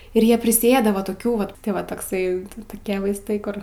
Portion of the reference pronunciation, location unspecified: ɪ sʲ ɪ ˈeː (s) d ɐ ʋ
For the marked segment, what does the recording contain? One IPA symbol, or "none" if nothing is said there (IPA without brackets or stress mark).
none